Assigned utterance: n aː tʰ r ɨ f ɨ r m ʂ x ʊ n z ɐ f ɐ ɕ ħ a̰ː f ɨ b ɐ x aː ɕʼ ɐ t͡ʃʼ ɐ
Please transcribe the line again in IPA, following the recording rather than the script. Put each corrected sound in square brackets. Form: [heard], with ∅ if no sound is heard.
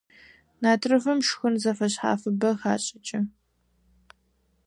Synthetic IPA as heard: n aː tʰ r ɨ f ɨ [∅] m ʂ x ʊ n z ɐ f ɐ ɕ ħ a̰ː f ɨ b ɐ x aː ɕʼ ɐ t͡ʃʼ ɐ

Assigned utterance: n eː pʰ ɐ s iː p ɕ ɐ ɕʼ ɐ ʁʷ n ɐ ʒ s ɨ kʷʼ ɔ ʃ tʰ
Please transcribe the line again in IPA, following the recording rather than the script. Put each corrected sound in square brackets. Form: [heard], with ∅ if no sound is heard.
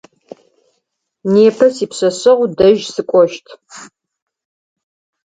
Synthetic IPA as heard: n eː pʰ ɐ s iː p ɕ ɐ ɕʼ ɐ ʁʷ [d] ɐ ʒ s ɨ kʷʼ ɔ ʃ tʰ

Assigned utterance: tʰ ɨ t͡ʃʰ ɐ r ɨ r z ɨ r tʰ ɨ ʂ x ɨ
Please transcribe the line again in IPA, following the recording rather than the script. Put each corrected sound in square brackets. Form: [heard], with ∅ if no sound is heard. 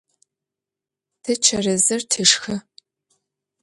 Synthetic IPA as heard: tʰ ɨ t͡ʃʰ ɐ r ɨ [∅] z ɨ r tʰ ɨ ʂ x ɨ

